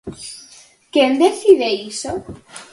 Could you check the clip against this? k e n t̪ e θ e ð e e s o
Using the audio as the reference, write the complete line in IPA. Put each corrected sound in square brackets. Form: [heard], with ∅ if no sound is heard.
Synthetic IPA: k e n [d̪] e θ [i] ð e [i] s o